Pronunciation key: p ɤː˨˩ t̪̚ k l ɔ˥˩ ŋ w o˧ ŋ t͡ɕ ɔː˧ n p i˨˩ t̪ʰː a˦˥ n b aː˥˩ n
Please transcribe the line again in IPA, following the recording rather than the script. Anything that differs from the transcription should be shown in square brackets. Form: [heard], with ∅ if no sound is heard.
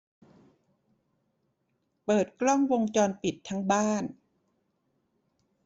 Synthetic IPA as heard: p ɤː˨˩ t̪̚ k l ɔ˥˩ ŋ w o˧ ŋ t͡ɕ ɔː˧ n p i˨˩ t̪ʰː a˦˥ [ŋ] b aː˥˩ n